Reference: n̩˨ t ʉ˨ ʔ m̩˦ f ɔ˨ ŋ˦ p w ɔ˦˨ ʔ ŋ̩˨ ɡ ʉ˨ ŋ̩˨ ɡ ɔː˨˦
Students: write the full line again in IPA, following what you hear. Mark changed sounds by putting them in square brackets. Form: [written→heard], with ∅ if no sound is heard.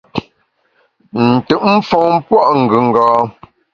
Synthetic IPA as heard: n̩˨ t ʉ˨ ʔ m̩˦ f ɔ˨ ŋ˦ p w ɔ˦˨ ʔ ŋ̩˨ ɡ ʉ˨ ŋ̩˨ ɡ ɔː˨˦